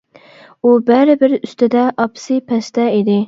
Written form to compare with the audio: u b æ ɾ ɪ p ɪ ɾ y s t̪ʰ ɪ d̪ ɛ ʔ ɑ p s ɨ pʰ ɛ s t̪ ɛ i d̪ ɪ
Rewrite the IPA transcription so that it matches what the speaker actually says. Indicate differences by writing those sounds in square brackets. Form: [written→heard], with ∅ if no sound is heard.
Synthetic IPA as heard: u b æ ɾ ɪ [p→b] ɪ ɾ y s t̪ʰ ɪ d̪ ɛ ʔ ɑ p s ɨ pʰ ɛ s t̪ ɛ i d̪ ɪ